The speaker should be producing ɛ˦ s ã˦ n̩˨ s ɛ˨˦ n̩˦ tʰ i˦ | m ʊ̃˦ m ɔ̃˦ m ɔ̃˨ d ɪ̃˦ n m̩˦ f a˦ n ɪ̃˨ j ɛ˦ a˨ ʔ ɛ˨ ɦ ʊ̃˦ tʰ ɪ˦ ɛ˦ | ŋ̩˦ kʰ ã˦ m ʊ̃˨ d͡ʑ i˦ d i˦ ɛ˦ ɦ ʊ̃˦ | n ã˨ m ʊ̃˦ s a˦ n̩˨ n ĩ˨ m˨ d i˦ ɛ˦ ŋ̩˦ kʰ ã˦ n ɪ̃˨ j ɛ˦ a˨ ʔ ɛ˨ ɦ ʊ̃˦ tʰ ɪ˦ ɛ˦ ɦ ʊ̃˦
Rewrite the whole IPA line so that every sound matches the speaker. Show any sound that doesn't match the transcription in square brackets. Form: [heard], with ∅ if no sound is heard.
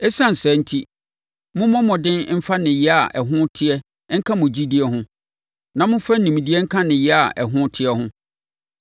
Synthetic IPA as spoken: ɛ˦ s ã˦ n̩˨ s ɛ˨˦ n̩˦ tʰ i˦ | m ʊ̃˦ m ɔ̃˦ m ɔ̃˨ d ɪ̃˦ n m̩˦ f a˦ n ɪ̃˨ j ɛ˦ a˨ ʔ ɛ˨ ɦ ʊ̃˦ tʰ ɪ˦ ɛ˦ | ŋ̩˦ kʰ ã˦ m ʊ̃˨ d͡ʑ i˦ d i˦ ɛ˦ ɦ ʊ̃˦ | n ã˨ m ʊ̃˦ [f] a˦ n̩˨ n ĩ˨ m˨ d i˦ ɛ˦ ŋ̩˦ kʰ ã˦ n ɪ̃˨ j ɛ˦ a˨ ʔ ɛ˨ ɦ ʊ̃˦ tʰ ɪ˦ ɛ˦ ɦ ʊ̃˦

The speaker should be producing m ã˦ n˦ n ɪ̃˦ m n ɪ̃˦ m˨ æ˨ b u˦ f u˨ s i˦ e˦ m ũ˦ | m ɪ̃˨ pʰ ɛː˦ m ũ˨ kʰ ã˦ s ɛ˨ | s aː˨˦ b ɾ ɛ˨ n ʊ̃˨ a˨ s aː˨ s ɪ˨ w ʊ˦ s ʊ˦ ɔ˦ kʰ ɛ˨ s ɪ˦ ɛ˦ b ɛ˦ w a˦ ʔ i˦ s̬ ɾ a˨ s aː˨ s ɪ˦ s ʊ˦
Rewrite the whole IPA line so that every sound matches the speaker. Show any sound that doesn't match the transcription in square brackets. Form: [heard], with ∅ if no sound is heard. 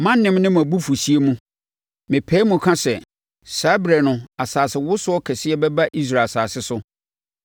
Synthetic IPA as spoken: m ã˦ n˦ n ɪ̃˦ m n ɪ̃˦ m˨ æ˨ b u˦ f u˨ s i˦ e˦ m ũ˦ | m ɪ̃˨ pʰ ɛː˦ m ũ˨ kʰ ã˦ s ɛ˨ | s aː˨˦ b ɾ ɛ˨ n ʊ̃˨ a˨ s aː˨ s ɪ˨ w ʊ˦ s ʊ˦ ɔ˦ kʰ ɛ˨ s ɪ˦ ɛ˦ b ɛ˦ [b] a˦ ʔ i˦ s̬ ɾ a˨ s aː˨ s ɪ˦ s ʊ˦

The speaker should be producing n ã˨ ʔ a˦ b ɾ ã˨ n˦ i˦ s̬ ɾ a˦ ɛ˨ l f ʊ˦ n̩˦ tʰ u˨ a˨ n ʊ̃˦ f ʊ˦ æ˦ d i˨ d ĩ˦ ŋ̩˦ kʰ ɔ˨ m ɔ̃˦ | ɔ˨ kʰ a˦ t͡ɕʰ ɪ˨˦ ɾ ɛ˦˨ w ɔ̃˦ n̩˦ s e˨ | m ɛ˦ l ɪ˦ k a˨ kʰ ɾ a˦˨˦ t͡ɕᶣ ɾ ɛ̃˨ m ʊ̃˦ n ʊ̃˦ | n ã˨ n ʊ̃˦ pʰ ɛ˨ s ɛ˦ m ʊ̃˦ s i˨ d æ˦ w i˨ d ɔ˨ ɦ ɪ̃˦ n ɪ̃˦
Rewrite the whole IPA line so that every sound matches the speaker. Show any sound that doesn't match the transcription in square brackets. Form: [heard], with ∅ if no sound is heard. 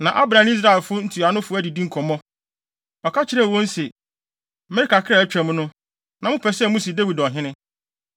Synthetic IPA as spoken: n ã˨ ʔ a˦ b ɾ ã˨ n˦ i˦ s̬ ɾ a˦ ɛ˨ l f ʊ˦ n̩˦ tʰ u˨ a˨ n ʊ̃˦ f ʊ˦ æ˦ d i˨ d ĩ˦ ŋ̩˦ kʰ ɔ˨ m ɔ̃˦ | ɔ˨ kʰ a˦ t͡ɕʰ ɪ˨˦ ɾ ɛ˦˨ w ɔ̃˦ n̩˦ s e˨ | m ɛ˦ [ɾ] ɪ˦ k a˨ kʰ ɾ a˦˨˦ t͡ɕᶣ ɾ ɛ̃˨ m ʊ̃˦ n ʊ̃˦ | n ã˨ [m] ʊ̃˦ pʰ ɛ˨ s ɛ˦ m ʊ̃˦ s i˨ d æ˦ w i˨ d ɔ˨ ɦ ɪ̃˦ n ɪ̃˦

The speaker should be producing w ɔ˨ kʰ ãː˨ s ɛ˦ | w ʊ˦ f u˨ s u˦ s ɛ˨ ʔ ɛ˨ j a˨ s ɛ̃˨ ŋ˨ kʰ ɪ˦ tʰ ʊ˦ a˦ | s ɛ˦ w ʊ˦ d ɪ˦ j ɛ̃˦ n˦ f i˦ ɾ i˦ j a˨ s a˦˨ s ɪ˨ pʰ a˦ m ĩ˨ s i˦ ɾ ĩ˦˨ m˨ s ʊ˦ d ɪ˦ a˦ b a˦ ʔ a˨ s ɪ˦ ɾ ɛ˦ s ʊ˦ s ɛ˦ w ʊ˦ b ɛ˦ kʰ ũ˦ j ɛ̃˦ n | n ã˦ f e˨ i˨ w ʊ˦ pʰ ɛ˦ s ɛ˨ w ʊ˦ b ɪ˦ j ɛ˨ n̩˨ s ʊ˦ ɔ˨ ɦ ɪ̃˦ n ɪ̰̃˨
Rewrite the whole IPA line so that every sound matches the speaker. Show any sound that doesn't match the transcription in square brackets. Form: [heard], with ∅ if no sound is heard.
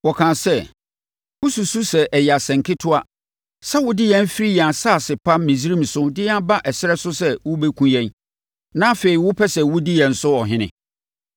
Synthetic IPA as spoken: w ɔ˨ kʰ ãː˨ s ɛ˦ | w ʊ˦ [s] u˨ s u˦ s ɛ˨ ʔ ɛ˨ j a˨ s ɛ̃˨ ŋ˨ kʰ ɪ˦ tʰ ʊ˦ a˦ | s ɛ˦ w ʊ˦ d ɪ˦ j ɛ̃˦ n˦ f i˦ ɾ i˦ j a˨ s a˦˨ s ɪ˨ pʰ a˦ m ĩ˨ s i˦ ɾ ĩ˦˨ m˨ s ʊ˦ d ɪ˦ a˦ b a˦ ʔ [ɛ˨] s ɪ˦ ɾ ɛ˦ s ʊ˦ s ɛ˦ w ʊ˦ b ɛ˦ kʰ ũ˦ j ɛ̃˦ n | n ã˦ f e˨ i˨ w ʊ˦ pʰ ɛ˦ s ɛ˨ w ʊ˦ [d] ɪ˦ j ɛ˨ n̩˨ s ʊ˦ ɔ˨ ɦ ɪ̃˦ n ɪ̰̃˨

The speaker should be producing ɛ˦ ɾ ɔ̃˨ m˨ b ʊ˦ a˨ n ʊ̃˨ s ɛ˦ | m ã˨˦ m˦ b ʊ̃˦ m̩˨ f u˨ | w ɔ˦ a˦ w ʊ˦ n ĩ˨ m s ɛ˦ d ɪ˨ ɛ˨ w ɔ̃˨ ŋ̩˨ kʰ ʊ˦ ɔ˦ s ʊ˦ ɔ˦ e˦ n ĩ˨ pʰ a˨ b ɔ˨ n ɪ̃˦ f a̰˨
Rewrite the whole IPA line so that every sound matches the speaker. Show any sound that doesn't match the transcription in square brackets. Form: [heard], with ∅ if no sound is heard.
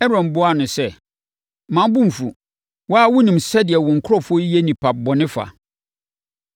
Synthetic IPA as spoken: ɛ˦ ɾ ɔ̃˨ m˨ b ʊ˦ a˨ n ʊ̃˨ s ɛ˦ | m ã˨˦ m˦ b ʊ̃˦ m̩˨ f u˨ | w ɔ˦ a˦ w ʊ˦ n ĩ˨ m s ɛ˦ d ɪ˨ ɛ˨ w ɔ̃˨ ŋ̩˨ kʰ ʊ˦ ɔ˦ [f] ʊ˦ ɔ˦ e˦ n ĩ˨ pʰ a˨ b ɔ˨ n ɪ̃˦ f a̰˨

